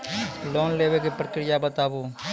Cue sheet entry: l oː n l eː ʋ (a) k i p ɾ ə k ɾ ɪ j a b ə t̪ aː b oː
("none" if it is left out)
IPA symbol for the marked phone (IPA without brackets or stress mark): e